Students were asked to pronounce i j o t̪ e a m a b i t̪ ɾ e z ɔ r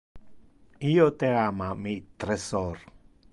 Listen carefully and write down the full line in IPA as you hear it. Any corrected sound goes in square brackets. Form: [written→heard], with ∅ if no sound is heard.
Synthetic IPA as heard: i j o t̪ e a m a [b→m] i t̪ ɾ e [z→s] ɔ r